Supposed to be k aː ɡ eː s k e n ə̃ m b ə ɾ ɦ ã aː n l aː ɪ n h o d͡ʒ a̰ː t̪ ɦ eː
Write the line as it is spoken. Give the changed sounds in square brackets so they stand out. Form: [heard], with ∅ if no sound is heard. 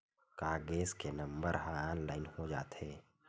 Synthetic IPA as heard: k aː ɡ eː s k e n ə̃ m b ə ɾ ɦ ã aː n l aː ɪ n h o d͡ʒ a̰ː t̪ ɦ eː